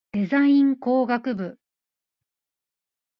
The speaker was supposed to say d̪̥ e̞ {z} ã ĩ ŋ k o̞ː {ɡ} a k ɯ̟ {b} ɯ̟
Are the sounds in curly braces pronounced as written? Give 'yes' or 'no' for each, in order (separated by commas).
yes, yes, yes